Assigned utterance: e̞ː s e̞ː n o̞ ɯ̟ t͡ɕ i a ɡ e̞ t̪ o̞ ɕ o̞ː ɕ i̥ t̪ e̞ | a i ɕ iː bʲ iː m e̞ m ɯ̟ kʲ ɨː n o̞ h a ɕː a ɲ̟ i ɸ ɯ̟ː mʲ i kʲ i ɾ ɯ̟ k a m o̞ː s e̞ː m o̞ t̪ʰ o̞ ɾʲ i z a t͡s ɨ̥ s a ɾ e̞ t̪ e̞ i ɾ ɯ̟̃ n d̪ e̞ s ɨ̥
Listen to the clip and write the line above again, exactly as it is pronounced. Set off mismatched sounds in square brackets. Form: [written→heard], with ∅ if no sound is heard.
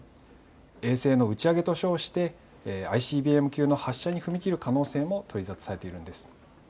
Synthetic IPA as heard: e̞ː s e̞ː n o̞ ɯ̟ t͡ɕ i a ɡ e̞ t̪ o̞ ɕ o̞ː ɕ i̥ t̪ e̞ | a i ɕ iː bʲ iː [m→∅] e̞ m ɯ̟ kʲ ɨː n o̞ h a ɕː a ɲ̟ i ɸ [ɯ̟ː→ɯ̟] mʲ i kʲ i ɾ ɯ̟ k a [m→n] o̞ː s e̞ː m o̞ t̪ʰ o̞ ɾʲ i z a t͡s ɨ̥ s a ɾ e̞ t̪ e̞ i ɾ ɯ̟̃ n d̪ e̞ s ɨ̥